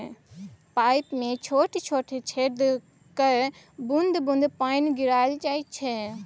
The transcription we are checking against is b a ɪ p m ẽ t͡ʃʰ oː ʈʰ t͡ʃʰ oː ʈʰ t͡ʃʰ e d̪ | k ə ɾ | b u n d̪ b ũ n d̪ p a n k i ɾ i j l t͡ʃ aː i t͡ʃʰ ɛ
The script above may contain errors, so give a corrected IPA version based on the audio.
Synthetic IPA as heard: p a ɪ p m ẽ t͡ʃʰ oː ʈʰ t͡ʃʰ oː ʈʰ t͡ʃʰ e d̪ | k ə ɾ | b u n d̪ b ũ n d̪ p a n ɡ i ɾ a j l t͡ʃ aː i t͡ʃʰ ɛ